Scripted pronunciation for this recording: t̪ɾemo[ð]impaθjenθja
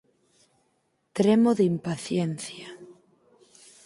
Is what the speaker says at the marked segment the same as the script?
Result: yes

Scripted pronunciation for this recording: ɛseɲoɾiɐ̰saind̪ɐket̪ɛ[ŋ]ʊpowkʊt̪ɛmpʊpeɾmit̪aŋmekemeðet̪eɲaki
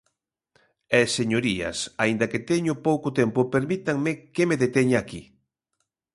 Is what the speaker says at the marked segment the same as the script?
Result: no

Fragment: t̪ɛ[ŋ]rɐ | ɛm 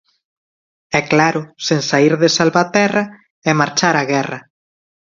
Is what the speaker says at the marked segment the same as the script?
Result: no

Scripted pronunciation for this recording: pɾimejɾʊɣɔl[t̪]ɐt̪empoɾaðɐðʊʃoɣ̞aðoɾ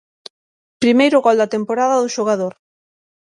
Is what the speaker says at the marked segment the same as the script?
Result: no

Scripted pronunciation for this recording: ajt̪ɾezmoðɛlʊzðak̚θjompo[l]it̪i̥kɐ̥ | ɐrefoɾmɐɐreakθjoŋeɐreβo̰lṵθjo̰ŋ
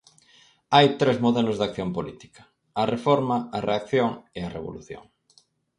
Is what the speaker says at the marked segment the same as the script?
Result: yes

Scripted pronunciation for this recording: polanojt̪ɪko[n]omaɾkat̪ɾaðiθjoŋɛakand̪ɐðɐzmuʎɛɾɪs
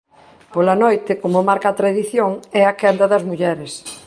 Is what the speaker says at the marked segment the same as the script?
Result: no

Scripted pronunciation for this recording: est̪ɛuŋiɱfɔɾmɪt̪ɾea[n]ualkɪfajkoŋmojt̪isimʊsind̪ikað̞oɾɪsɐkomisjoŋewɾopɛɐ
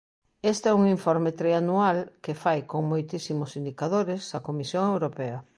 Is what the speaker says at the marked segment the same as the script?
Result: yes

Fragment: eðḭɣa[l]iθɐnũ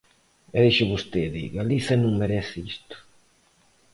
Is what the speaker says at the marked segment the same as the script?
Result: yes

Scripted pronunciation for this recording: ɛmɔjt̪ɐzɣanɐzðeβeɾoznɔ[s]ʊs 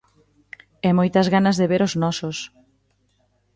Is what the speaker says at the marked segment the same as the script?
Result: yes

